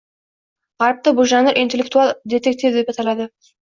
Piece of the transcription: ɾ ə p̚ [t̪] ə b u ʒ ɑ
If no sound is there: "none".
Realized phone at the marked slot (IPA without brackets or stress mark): t̪